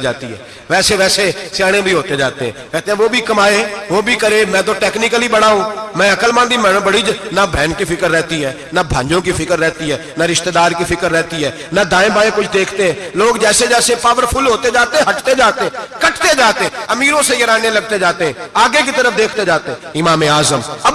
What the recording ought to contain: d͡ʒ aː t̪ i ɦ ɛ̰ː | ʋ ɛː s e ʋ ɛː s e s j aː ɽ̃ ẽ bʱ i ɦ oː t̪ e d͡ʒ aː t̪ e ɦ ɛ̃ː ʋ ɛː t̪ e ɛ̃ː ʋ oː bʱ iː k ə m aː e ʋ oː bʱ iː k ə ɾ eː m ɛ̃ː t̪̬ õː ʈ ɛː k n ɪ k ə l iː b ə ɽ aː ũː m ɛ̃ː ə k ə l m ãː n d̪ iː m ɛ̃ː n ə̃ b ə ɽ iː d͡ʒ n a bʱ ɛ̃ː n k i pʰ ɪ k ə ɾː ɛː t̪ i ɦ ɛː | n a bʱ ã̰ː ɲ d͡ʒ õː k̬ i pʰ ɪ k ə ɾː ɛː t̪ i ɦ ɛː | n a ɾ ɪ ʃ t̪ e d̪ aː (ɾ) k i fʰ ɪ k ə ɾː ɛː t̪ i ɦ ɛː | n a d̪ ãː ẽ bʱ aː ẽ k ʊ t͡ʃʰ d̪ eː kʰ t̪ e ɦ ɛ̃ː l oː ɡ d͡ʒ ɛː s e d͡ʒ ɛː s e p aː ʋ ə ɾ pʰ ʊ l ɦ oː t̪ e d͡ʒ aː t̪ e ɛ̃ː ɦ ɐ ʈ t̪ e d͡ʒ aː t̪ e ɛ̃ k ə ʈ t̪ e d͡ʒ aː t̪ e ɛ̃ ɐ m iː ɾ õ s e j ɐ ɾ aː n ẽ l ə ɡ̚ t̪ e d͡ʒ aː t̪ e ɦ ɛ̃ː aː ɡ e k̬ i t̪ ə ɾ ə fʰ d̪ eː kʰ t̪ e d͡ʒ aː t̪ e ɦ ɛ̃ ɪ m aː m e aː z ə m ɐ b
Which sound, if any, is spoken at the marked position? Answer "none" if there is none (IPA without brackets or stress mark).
ɾ